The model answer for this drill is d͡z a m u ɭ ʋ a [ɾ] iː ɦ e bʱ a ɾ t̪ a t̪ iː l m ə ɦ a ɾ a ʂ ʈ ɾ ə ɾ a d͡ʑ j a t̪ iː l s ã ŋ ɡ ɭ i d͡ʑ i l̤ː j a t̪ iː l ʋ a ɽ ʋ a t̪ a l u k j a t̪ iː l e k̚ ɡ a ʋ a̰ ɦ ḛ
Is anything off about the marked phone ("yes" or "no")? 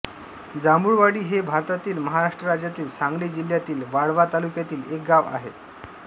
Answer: yes